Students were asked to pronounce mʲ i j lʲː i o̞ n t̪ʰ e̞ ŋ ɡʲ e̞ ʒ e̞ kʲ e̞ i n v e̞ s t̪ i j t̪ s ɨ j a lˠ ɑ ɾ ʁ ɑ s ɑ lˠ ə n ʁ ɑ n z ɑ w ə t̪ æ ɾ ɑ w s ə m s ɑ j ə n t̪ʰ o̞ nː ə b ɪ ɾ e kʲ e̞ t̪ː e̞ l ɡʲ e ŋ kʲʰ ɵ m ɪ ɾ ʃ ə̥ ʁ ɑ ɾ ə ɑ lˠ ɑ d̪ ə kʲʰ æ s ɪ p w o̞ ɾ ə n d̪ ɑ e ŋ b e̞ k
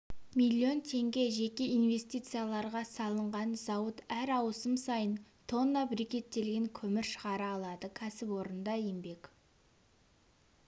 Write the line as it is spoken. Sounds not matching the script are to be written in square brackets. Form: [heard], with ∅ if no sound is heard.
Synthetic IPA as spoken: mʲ i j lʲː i o̞ n t̪ʰ e̞ ŋ ɡʲ e̞ ʒ e̞ kʲ e̞ i n v e̞ s t̪ i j t̪ s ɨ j a lˠ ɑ ɾ ʁ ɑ s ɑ lˠ ə [ɴ] ʁ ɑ n z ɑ w ə t̪ æ ɾ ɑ w s ə m s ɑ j ə n t̪ʰ o̞ nː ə b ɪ ɾ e kʲ e̞ t̪ː e̞ l ɡʲ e ŋ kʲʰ ɵ m ɪ ɾ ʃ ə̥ ʁ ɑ ɾ ə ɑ lˠ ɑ d̪ ə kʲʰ æ s ɪ p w o̞ ɾ ə n d̪ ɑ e [m] b e̞ k